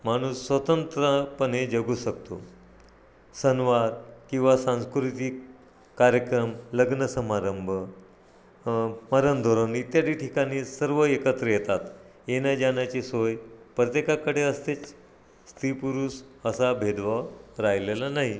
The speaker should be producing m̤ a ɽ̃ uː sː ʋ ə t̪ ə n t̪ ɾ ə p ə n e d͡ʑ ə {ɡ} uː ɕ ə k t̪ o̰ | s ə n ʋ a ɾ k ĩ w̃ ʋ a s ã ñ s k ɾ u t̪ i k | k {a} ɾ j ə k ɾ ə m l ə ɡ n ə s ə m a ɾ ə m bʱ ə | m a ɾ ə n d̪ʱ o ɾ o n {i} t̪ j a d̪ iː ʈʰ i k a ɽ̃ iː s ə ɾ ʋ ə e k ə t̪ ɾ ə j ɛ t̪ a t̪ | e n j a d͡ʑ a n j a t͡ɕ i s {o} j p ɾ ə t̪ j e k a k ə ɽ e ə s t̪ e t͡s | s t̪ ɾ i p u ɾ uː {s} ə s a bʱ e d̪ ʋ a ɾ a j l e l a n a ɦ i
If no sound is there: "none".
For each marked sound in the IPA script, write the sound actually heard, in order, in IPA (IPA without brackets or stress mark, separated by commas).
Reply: ɡ, a, i, o, s